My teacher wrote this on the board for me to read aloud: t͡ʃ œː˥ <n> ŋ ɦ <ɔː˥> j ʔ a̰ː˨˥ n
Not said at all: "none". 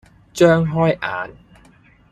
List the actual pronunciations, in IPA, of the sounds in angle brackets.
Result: none, ɔː˥

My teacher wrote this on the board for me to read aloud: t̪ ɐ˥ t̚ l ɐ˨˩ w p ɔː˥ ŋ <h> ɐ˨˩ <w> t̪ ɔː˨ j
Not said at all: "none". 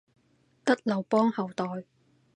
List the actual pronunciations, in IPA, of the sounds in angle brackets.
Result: h, w

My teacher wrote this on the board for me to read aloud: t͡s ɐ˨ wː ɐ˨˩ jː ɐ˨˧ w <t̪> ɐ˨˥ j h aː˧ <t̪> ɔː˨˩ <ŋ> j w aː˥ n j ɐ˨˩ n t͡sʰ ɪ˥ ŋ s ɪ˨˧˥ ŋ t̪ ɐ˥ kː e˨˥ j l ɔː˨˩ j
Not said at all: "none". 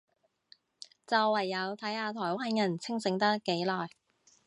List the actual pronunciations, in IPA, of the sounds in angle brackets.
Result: t̪ʰ, t̪ʰ, none

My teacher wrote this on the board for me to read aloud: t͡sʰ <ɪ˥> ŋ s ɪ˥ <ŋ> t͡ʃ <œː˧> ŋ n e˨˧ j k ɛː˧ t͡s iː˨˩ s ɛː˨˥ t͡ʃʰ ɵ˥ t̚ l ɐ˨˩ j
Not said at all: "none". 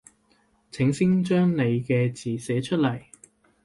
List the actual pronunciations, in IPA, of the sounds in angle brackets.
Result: ɪ˨˥, ŋ, œː˥

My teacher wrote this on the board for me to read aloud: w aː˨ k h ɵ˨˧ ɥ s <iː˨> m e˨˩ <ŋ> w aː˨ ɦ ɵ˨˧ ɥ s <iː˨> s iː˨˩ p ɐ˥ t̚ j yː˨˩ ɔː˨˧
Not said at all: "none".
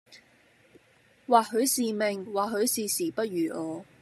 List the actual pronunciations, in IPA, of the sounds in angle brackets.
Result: iː˨, ŋ, iː˨

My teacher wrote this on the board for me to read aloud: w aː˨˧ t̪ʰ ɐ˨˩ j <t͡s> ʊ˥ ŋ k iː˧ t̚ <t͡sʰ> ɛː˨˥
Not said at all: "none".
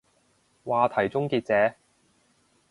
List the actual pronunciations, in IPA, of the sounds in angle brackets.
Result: t͡s, t͡s

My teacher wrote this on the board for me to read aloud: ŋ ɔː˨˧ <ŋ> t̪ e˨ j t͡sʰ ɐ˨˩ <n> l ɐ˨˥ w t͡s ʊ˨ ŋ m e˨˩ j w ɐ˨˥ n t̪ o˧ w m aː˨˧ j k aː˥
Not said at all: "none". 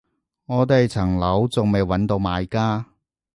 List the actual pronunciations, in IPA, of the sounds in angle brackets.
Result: none, ŋ

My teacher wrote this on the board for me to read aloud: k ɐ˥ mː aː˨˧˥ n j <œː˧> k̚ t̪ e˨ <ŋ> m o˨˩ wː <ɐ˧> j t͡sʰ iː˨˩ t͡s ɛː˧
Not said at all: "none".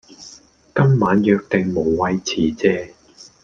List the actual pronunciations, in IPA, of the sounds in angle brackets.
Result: œː˧, ŋ, ɐ˧

